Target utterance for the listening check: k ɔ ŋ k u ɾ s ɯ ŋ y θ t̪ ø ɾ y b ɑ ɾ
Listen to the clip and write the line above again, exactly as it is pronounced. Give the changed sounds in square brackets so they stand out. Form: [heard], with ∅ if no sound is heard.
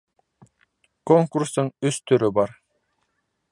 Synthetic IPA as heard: k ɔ ŋ k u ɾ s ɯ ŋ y [s] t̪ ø ɾ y b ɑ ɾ